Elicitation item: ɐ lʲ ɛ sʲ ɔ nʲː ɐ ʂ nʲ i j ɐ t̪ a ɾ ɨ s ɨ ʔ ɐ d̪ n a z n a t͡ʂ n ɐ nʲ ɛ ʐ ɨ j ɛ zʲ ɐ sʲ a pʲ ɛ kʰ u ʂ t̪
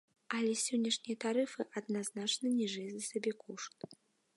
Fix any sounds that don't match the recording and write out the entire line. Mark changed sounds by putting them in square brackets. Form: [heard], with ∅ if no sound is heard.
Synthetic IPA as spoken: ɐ lʲ ɛ sʲ ɔ nʲː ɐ ʂ nʲ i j ɐ t̪ a ɾ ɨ [f] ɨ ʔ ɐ d̪ n a z n a t͡ʂ n ɐ nʲ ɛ ʐ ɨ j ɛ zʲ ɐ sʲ a [bʲ] ɛ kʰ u ʂ t̪